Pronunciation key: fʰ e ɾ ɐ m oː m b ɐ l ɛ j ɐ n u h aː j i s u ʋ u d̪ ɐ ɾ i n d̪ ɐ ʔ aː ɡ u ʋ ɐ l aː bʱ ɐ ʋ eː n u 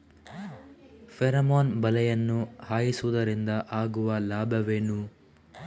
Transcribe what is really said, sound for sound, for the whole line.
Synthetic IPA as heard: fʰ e ɾ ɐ m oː n b ɐ l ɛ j ɐ nː u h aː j i s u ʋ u d̪ ɐ ɾ i n d̪ ɐ ʔ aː ɡ u ʋ ɐ l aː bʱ ɐ ʋ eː n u